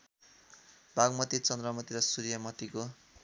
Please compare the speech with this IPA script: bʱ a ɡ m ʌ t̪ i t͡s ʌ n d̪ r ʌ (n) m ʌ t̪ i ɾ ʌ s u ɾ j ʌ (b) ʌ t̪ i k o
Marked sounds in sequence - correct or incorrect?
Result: incorrect, incorrect

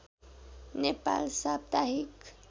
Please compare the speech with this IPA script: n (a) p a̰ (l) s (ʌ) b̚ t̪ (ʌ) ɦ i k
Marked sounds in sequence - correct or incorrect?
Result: incorrect, correct, incorrect, incorrect

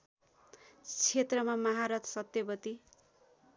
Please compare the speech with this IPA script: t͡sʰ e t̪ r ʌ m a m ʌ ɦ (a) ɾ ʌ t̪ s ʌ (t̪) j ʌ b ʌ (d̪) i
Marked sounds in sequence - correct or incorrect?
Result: correct, correct, incorrect

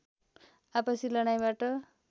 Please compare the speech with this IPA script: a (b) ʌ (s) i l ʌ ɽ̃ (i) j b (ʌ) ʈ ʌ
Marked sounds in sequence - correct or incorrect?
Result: incorrect, correct, incorrect, incorrect

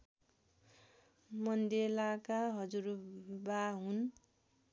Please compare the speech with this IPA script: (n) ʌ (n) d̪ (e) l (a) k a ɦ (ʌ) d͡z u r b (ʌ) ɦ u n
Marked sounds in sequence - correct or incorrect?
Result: incorrect, correct, correct, correct, correct, incorrect

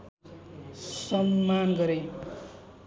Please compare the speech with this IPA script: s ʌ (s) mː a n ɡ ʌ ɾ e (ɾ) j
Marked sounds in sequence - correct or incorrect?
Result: incorrect, incorrect

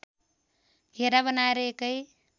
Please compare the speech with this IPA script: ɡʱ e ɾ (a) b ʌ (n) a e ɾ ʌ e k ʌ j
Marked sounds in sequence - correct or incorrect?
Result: correct, correct

